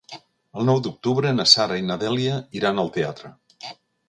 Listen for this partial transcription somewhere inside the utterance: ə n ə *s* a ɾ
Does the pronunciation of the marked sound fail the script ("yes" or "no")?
no